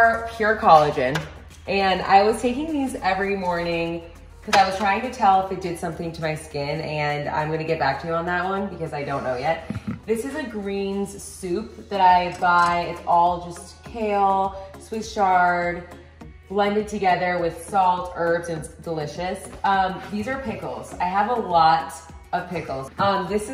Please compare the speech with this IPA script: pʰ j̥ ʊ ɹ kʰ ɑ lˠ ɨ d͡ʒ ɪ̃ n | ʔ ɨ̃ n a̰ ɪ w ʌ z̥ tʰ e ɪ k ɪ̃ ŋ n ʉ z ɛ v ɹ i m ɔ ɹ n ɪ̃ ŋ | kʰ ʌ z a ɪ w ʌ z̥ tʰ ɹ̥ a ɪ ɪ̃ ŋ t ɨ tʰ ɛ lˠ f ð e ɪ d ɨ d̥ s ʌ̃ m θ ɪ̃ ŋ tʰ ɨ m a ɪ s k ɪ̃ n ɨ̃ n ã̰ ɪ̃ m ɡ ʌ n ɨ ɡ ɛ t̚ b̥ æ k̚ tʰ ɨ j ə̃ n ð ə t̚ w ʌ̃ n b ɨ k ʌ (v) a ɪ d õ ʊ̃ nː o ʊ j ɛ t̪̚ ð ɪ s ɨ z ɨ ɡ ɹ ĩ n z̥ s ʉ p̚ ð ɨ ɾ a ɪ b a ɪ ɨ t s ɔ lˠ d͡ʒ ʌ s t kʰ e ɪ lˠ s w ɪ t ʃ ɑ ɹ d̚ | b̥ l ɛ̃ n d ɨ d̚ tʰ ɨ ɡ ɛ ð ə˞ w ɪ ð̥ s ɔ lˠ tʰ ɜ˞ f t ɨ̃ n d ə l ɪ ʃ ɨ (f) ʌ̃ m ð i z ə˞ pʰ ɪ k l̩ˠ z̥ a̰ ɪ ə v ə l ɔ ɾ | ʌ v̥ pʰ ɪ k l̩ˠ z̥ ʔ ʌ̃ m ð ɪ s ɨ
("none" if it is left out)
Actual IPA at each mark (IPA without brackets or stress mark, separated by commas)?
z, s